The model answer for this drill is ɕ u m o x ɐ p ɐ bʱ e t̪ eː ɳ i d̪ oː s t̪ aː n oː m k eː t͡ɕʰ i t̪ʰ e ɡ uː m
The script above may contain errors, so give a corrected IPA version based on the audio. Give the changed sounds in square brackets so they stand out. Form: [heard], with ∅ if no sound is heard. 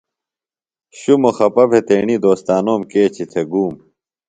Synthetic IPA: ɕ u m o x ɐ p ɐ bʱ e t̪ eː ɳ i d̪ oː s t̪ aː n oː m k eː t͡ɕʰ i t̪ʰ e ɡ uː m